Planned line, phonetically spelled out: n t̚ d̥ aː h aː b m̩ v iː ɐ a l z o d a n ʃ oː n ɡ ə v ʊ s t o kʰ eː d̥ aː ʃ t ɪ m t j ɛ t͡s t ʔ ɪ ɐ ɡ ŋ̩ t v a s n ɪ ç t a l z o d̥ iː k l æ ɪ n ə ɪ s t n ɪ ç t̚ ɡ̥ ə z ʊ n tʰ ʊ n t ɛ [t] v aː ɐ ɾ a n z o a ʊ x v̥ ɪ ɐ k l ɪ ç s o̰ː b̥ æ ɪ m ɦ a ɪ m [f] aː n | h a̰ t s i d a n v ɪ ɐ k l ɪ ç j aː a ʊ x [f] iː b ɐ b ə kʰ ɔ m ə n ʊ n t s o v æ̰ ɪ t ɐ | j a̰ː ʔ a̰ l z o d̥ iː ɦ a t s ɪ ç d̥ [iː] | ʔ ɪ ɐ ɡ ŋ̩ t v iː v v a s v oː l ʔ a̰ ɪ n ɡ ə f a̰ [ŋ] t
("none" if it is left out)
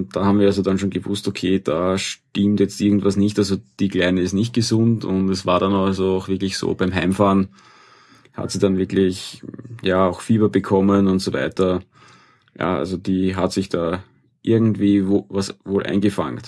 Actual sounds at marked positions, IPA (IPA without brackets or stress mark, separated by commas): s, f, f, aː, ŋ